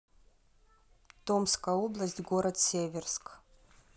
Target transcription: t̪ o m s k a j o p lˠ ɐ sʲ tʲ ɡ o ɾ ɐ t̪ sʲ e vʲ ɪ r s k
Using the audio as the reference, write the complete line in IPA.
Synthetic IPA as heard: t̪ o m s k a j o b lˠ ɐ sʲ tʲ ɡ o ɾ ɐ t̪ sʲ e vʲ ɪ r s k